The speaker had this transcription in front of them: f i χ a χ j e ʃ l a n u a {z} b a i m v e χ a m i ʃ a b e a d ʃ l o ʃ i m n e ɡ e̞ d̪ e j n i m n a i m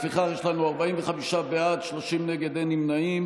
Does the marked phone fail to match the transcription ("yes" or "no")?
yes